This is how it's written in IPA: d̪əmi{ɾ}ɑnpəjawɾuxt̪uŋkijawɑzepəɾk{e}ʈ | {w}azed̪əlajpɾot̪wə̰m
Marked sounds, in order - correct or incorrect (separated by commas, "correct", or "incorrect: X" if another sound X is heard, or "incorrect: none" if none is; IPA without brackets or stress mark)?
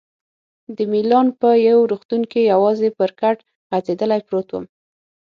incorrect: l, incorrect: a, incorrect: ɣ